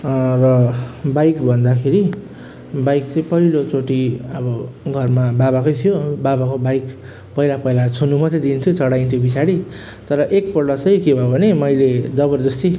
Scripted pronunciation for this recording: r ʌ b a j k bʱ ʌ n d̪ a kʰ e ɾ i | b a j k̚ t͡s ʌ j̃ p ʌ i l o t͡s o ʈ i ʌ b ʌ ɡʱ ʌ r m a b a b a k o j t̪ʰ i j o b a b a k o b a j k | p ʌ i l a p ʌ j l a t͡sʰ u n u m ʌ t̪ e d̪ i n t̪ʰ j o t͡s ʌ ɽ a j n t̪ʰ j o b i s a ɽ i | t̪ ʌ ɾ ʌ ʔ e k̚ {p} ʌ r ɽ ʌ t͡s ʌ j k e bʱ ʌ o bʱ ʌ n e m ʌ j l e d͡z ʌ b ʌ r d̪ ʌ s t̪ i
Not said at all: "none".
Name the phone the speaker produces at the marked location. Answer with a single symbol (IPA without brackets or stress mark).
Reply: p